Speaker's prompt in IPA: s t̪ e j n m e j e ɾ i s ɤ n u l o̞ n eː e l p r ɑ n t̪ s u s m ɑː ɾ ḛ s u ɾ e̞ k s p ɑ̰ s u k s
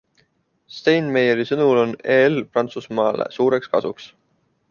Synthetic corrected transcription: s t̪ e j n m e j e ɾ i s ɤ n u l o̞ n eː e l p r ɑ n t̪ s u s m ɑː l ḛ s uː ɾ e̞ k s k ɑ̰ s u k s

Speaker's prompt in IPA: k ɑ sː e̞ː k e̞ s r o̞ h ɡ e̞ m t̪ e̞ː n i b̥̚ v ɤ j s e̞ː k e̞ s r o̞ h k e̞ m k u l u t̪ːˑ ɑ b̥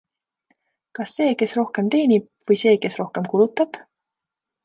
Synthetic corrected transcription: k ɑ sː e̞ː k e̞ s r o̞ h k e̞ m t̪ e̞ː n i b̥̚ v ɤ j s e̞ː k e̞ s r o̞ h k e̞ m k u l u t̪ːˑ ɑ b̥

